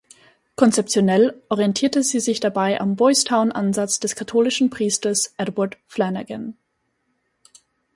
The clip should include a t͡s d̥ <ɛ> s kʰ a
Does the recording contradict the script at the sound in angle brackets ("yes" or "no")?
no